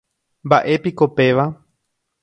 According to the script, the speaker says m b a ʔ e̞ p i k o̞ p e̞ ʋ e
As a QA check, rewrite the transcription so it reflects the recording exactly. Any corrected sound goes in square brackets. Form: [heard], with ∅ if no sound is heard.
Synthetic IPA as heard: m b a ʔ e̞ p i k o̞ p e̞ ʋ [a]